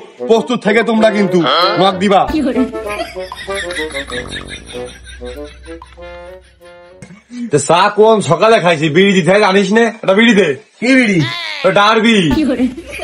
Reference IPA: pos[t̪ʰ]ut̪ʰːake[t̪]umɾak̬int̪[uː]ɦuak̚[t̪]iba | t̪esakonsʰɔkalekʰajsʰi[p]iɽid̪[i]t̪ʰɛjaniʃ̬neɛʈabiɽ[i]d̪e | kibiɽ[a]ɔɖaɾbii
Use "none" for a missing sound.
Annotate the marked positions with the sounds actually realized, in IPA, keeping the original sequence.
t̪, t̪, u, d̪, b, i, i, i

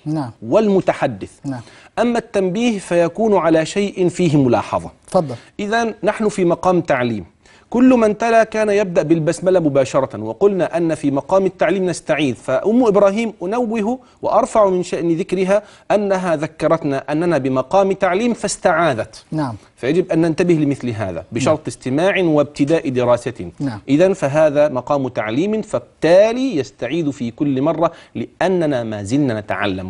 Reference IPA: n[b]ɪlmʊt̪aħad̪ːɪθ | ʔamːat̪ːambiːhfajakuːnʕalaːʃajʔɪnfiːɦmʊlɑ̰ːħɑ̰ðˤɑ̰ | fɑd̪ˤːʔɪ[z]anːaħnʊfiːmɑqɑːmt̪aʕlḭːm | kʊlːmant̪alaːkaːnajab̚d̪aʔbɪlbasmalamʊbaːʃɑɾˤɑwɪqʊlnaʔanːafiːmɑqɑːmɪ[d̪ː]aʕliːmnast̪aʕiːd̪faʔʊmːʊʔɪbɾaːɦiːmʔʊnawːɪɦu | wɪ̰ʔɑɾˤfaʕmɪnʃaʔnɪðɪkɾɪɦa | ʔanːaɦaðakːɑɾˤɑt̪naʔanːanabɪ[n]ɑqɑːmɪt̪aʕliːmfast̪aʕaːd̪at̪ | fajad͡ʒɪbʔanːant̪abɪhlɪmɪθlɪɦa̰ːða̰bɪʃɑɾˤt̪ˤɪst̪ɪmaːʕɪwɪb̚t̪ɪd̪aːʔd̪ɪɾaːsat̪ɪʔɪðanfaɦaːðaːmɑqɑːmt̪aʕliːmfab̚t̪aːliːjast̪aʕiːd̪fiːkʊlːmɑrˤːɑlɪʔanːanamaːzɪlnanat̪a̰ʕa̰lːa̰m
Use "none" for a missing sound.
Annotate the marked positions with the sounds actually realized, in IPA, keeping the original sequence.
w, ð, t̪ː, m

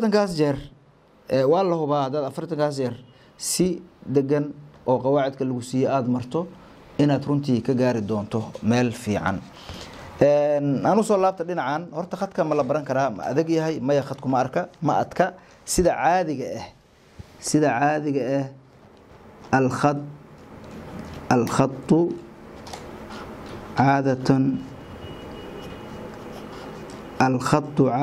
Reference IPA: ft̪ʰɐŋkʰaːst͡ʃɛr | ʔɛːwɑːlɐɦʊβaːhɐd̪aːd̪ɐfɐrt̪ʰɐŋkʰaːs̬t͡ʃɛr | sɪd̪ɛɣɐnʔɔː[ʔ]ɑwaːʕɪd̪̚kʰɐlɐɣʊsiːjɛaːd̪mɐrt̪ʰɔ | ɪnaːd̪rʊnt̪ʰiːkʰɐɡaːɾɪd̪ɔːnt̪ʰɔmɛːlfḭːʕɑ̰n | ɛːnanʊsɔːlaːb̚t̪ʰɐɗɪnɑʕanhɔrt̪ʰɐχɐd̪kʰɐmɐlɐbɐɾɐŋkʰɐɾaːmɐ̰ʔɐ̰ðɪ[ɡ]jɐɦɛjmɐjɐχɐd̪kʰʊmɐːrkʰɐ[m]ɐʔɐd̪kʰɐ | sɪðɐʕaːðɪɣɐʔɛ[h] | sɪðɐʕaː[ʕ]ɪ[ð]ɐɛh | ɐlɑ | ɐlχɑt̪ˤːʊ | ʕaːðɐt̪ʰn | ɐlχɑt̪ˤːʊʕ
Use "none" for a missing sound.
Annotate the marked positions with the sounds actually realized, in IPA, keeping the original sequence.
q, ɡ, m, h, ð, ɣ

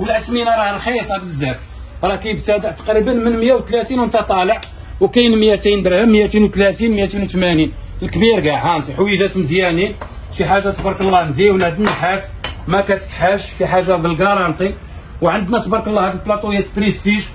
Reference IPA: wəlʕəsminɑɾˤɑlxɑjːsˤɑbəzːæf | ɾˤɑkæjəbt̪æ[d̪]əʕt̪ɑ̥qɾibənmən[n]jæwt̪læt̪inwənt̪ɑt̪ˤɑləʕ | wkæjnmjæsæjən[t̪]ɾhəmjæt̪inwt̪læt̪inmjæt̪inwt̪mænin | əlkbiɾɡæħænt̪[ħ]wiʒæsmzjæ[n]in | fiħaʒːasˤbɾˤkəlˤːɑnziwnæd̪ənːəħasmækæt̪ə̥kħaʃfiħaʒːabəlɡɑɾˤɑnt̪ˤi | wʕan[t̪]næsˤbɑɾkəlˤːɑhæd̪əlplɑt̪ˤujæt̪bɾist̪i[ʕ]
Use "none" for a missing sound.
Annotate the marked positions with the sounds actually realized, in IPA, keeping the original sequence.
d̪, m, d̪, ħ, n, d̪, ʒ

